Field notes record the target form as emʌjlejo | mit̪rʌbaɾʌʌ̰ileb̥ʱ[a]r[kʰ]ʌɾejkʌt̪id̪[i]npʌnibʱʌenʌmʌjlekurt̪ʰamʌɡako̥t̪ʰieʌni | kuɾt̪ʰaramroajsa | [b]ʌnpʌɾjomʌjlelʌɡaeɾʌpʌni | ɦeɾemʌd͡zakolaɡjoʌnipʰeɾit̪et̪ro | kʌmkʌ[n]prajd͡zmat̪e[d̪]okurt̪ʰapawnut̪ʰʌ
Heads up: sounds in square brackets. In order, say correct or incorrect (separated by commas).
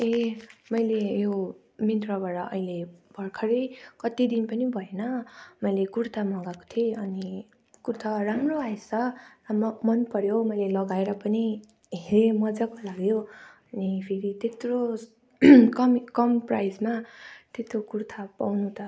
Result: incorrect, correct, correct, incorrect, incorrect, incorrect